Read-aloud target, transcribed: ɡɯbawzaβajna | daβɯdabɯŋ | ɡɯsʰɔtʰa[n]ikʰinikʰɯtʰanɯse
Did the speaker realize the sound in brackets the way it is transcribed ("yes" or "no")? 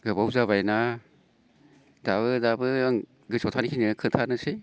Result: yes